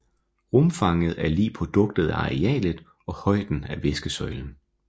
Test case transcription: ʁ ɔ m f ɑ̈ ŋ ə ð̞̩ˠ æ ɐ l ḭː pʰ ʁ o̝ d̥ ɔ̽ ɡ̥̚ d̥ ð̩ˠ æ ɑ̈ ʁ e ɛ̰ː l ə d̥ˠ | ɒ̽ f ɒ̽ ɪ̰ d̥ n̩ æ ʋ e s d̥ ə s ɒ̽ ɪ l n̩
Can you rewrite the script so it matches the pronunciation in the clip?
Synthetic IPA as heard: ʁ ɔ m f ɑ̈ ŋ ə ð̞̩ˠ æ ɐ l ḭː pʰ ʁ o̝ d̥ ɔ̽ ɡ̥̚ d̥ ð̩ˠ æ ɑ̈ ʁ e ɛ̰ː l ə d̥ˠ | ɒ̽ h ɒ̽ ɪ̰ d̥ n̩ æ ʋ e s ɡ̥ ə s ɒ̽ ɪ l n̩